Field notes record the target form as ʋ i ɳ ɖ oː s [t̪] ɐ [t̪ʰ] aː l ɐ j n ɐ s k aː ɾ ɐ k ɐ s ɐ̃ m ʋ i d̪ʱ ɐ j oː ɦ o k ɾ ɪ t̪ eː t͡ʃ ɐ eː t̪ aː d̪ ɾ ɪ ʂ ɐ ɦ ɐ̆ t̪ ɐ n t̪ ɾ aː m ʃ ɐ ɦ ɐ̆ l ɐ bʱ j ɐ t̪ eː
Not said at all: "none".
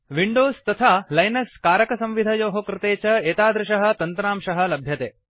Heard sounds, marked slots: t̪, t̪ʰ

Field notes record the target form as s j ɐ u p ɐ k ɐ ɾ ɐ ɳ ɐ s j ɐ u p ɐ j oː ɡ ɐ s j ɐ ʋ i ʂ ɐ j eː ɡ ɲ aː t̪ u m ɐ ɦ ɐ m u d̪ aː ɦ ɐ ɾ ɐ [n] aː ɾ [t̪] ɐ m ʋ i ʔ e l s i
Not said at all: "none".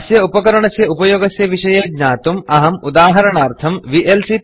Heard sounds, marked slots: ɳ, t̪ʰ

